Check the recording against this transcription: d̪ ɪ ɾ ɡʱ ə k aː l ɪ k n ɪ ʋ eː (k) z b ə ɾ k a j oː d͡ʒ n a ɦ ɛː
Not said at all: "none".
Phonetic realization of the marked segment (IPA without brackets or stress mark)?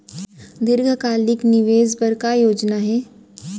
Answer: none